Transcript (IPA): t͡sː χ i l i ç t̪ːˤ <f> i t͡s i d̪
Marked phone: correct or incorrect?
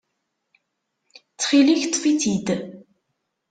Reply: correct